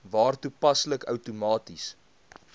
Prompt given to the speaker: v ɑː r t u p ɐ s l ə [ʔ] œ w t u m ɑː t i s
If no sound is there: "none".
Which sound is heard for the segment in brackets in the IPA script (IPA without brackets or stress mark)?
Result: k